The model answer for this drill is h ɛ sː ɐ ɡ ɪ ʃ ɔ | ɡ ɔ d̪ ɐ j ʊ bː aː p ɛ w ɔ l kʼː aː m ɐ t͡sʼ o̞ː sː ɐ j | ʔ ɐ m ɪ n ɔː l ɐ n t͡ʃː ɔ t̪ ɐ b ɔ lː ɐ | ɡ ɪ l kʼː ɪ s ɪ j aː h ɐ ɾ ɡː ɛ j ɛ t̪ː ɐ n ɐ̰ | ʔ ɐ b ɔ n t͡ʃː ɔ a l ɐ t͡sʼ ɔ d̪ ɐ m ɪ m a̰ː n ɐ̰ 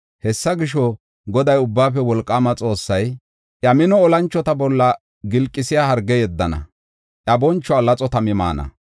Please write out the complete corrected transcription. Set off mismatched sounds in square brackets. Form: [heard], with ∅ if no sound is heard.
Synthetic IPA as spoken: h ɛ sː ɐ ɡ ɪ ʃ ɔ | ɡ ɔ d̪ ɐ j ʊ bː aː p ɛ w ɔ l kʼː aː m ɐ t͡sʼ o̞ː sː ɐ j | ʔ ɐ m ɪ n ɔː l ɐ n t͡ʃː ɔ t̪ ɐ b ɔ lː ɐ | ɡ ɪ l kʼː ɪ s ɪ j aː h ɐ ɾ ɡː ɛ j ɛ [d̪ː] ɐ n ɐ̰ | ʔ ɐ b ɔ n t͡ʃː ɔ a l ɐ t͡sʼ ɔ [t̪] ɐ m ɪ m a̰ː n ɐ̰